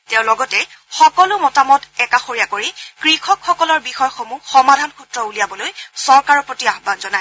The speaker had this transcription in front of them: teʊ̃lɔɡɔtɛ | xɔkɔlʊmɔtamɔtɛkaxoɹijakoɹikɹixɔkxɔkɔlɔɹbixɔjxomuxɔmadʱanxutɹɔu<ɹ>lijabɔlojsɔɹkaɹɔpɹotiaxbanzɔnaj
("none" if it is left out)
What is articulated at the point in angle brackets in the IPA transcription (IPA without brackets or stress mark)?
none